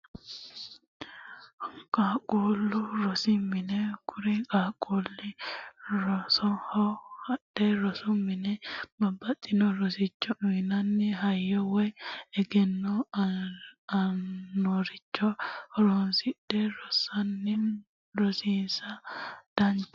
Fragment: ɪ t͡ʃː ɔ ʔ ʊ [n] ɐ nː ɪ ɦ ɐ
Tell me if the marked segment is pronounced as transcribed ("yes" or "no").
yes